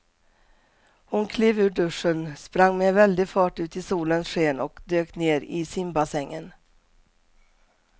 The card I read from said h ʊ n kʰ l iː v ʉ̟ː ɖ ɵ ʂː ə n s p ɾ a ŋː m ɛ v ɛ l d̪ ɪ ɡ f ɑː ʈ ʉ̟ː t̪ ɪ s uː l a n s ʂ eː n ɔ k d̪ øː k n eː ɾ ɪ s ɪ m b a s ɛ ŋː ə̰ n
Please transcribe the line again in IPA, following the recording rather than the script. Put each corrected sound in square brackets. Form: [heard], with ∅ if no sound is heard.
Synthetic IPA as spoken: h ʊ n kʰ l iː v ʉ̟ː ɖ ɵ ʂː ə n s p ɾ a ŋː m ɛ v ɛ l d̪ ɪ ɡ f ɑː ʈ ʉ̟ː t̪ ɪ s uː l [ə] n s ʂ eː n ɔ k d̪ øː k n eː ɾ ɪ s ɪ m b a s ɛ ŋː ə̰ n